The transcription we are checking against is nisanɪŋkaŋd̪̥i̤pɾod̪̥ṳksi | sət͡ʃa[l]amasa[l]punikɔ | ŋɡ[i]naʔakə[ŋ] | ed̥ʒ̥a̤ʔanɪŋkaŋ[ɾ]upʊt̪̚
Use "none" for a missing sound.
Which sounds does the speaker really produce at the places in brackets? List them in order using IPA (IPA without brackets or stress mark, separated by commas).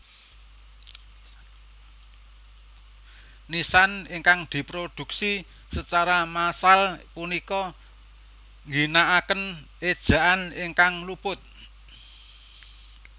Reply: ɾ, l, i, n, l